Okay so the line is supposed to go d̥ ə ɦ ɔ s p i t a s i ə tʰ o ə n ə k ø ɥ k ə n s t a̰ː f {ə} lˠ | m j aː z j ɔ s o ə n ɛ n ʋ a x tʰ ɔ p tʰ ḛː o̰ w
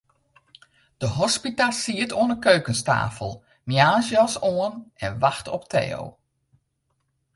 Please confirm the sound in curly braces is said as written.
yes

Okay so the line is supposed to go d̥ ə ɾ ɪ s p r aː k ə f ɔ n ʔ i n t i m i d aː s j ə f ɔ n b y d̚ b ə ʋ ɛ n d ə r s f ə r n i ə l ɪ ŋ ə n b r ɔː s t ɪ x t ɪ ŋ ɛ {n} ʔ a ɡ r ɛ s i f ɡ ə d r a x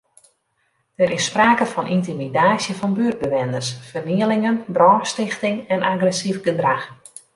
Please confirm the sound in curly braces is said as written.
yes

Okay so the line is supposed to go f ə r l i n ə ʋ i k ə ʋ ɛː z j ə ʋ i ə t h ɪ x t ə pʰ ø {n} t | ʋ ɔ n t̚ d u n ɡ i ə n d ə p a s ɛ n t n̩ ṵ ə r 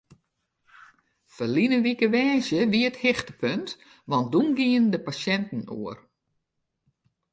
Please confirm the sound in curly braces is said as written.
yes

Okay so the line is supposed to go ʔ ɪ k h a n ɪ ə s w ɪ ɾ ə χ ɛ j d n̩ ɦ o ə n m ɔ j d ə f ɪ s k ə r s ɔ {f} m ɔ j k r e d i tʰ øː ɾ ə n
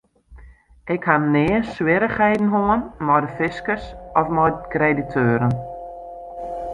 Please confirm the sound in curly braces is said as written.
yes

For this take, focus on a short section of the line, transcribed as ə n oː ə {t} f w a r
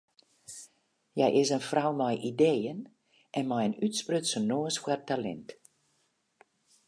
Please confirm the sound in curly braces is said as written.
no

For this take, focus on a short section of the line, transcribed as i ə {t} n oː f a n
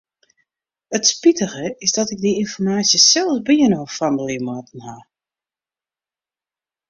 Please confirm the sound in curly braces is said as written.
no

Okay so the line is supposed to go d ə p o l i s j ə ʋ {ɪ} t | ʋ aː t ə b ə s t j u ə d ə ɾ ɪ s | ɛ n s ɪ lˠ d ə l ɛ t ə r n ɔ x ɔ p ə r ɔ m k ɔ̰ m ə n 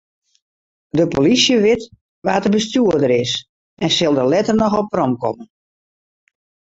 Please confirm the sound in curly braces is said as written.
yes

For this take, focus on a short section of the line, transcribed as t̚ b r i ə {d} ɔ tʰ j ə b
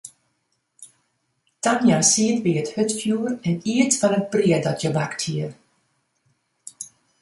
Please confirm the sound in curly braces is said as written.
yes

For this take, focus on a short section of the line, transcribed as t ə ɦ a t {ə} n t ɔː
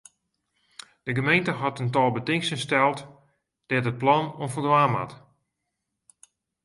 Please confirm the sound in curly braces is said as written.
yes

